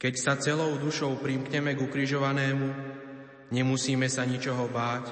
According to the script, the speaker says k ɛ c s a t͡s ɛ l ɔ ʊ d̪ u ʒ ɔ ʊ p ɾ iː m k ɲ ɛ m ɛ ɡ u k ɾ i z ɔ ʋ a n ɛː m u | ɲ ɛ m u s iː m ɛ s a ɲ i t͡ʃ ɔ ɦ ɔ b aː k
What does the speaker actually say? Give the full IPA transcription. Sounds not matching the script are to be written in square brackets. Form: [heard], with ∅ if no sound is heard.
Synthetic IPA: k ɛ c s a t͡s ɛ l ɔ ʊ d̪ u [ʃ] ɔ ʊ p ɾ [i] m k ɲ ɛ m ɛ ɡ u k ɾ i [ʒ] ɔ ʋ a n ɛː m u | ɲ ɛ m u s iː m ɛ s a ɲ i t͡ʃ ɔ ɦ ɔ b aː [c]